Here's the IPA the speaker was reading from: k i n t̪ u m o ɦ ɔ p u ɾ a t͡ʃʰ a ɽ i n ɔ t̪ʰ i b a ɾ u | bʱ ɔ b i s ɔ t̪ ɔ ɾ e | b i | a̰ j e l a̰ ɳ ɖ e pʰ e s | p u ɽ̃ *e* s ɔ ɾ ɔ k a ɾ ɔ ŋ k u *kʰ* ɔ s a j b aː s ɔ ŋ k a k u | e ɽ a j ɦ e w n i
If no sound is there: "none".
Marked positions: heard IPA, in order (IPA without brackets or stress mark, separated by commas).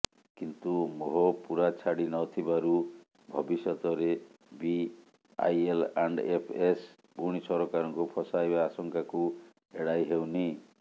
i, pʰ